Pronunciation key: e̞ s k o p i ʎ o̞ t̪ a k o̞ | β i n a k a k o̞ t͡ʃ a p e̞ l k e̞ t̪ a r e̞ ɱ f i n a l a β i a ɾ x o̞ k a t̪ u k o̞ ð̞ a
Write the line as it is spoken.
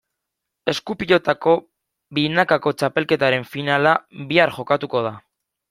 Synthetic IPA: e̞ s k u p i ʎ o̞ t̪ a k o̞ | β i n a k a k o̞ t͡ʃ a p e̞ l k e̞ t̪ a ɾ e̞ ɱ f i n a l a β i a ɾ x o̞ k a t̪ u k o̞ ð̞ a